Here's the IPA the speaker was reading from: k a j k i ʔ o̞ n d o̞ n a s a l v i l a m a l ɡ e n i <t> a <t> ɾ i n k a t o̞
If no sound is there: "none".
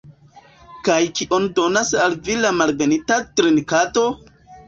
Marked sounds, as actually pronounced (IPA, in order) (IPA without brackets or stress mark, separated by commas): t, t